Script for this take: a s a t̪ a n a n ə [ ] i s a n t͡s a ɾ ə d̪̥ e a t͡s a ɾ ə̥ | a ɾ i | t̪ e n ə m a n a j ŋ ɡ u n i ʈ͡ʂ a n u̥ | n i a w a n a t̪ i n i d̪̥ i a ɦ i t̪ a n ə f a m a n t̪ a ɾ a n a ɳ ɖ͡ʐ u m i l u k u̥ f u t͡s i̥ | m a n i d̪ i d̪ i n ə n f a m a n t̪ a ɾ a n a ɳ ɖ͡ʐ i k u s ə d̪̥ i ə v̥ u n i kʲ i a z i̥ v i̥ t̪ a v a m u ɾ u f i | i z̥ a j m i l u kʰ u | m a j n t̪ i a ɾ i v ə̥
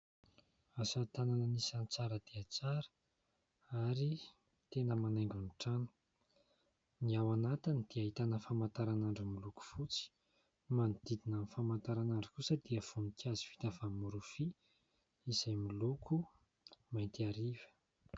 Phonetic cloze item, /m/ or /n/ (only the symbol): n